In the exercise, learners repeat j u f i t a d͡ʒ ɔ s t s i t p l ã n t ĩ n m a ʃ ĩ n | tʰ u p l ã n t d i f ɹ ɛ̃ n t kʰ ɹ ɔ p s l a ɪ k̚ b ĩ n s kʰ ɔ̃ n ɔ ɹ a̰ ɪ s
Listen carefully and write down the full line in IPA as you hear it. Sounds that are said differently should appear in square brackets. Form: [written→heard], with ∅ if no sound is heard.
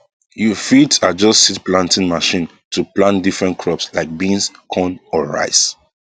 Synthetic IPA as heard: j u f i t a d͡ʒ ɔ s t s i t p l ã n t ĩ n m a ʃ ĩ n | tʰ u p l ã n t d i f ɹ ɛ̃ n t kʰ ɹ ɔ p s l a ɪ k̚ b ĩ n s kʰ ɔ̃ n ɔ ɹ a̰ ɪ s

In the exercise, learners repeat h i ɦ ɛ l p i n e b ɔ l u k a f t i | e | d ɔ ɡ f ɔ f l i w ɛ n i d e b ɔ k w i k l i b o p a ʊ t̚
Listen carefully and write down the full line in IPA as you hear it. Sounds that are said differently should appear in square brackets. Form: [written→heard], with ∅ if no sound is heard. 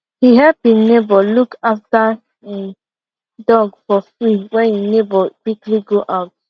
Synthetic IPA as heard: h i ɦ ɛ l p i n e b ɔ l u k a f t [i→a] | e | d ɔ ɡ f ɔ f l i w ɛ n i [d→n] e b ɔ k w i k l i [b→ɡ] o [p→ʔ] a ʊ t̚

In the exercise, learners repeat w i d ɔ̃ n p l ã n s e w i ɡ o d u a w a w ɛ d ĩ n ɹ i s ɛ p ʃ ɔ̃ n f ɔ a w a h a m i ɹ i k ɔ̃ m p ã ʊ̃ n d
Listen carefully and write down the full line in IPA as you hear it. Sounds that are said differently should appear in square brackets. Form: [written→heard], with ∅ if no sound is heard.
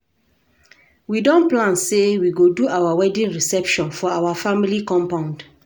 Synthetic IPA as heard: w i d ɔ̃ n p l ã n s e w i ɡ o d u a w a w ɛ d ĩ n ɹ i s ɛ p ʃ ɔ̃ n f ɔ a w a [h→f] a m i [ɹ→l] i k ɔ̃ m p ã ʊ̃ n d

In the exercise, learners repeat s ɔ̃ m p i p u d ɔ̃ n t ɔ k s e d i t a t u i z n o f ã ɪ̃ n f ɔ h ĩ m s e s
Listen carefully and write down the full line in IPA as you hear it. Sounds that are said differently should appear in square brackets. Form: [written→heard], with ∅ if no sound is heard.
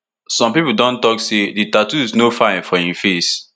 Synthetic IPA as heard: s ɔ̃ m p i p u d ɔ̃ n t ɔ k s e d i t a t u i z n o f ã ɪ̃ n f ɔ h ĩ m [s→f] e s

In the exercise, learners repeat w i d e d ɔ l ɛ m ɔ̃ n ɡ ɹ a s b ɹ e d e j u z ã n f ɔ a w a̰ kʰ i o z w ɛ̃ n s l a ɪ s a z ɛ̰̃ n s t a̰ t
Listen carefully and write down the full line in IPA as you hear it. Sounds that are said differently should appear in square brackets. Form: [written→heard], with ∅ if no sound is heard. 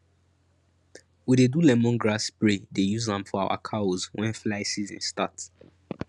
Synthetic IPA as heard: w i d e d [ɔ→u] l ɛ m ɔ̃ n ɡ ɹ a s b ɹ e d e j u z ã [n→m] f ɔ a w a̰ kʰ [i→a] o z w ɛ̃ n [s→f] l a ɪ s [a→i] z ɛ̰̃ n s t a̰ t

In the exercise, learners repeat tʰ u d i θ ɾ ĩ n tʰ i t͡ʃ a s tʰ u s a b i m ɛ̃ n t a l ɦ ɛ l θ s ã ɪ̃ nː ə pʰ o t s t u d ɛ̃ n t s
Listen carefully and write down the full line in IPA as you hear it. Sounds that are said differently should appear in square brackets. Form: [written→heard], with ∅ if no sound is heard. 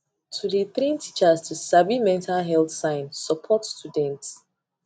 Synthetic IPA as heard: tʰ u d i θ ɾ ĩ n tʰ i t͡ʃ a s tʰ u s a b i m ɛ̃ n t a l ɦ ɛ l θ s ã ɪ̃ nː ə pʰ [o→ɔ] t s t u d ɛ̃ n t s

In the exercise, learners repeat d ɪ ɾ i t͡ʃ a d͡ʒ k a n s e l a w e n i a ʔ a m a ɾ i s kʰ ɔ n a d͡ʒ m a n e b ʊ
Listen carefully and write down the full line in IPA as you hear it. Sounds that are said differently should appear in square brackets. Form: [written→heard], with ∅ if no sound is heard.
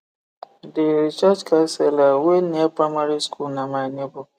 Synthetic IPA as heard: d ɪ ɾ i t͡ʃ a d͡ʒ k a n s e l a w e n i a [ʔ→p] a m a ɾ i s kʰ [ɔ→u] n a [d͡ʒ→∅] m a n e b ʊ

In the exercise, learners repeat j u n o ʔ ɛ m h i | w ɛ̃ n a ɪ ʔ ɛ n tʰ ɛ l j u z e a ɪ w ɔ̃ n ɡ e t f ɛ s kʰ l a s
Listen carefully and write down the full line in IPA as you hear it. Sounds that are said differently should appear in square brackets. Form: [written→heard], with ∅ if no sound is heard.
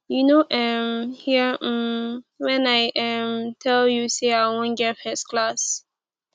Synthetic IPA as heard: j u n o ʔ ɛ m h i | w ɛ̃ n a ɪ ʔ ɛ [n→m] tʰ ɛ l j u [z→s] e a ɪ w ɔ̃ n ɡ [e→ɛ] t f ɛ s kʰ l a s

